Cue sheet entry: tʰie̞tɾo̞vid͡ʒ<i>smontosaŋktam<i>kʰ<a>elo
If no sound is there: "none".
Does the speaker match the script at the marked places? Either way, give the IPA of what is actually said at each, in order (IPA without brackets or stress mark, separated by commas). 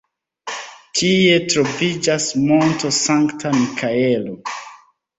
a, i, a